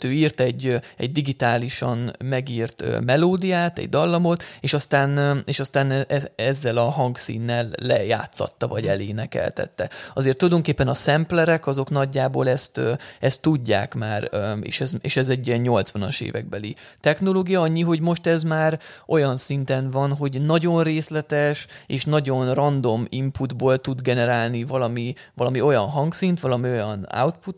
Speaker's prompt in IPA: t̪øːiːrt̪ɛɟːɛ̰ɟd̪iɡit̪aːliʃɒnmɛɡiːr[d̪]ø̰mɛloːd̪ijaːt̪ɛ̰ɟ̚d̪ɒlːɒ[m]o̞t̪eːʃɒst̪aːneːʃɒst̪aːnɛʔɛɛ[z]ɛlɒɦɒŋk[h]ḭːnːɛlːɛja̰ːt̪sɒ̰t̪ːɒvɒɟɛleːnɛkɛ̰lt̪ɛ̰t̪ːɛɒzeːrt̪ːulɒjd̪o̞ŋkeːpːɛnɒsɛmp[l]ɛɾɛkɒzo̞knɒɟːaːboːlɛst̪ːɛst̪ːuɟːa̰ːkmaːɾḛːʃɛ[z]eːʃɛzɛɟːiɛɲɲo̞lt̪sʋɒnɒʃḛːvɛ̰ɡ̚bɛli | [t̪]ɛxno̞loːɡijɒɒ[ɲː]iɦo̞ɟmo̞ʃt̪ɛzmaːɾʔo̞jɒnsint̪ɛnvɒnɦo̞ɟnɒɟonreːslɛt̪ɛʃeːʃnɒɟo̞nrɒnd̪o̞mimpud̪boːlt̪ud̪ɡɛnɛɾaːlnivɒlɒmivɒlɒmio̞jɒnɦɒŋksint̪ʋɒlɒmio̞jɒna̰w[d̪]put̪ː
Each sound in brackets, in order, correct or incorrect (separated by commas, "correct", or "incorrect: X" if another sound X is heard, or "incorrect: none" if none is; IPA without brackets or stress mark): incorrect: t̪, correct, incorrect: zː, incorrect: s, correct, correct, correct, correct, incorrect: t̪